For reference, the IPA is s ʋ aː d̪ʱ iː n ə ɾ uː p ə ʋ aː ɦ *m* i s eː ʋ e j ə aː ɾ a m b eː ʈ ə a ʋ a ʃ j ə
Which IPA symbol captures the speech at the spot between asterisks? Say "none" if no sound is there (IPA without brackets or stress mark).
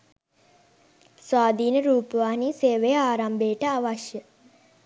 n